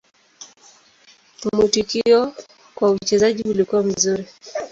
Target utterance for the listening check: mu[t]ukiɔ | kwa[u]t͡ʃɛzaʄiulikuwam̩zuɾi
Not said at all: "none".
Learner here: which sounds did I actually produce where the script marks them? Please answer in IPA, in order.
t, u

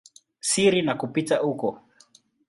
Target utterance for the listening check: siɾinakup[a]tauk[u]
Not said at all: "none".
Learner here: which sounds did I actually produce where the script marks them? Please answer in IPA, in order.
i, ɔ

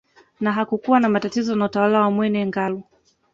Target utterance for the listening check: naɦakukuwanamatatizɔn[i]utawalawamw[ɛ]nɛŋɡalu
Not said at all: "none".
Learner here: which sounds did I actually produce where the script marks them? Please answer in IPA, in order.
a, ɛ

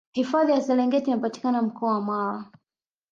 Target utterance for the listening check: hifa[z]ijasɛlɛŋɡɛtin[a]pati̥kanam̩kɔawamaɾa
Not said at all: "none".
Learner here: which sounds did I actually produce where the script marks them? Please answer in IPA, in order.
ð, a

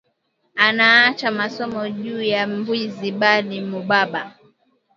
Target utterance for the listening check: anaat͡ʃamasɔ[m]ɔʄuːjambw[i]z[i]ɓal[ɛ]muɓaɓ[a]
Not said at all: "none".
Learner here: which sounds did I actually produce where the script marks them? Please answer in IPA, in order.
m, i, i, i, a

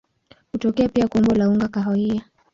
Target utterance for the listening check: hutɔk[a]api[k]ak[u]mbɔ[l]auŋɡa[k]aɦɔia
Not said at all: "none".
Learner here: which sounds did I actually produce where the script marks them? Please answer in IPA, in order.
ɛ, none, ɔ, l, k

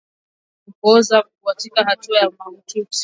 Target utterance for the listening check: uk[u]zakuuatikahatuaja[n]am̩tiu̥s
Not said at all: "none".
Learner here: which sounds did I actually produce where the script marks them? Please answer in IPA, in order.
ɔ, m

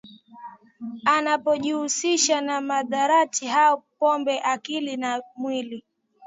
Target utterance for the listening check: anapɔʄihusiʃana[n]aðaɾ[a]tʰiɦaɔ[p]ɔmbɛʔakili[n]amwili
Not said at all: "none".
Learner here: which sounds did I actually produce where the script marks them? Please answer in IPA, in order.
m, a, p, n

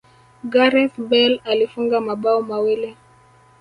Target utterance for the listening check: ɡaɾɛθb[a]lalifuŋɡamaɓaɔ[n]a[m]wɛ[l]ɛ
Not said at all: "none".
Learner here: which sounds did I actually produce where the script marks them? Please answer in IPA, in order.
ɛ, m, none, l

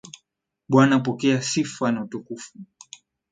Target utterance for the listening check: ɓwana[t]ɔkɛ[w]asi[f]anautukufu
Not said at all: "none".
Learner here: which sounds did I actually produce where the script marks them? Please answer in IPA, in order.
p, none, f

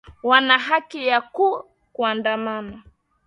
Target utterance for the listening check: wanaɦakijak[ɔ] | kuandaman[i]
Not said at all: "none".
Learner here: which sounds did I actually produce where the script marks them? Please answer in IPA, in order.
u, a

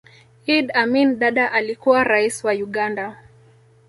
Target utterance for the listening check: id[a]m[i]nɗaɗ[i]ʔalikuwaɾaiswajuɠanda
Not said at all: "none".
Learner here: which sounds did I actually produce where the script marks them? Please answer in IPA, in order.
a, i, a

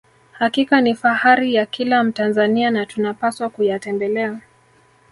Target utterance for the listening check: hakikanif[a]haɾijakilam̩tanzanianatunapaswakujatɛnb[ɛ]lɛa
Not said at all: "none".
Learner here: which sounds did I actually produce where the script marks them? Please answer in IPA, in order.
a, ɛ

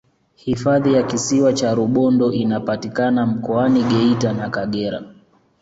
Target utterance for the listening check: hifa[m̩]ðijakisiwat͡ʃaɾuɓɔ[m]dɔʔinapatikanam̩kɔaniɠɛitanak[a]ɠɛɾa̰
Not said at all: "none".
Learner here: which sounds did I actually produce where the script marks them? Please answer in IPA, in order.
none, n, a

